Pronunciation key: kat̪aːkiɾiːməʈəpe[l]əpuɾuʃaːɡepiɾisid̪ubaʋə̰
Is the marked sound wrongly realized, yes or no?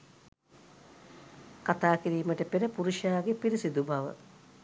yes